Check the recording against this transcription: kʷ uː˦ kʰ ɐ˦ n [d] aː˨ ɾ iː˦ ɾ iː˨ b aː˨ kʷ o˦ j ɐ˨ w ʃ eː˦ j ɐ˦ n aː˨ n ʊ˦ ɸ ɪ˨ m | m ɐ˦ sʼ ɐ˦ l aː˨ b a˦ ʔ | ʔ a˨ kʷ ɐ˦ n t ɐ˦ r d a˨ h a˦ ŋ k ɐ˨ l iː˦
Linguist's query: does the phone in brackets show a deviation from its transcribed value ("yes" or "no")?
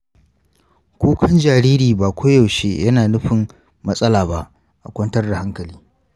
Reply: yes